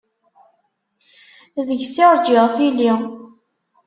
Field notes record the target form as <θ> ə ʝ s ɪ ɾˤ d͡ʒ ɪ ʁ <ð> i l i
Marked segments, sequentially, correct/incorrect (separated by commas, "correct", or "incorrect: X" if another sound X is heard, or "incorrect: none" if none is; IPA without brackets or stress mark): incorrect: ð, incorrect: θ